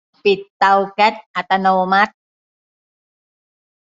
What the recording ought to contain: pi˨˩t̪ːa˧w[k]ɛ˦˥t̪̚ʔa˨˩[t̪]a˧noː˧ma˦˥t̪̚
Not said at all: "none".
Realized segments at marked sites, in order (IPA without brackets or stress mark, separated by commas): k, t̪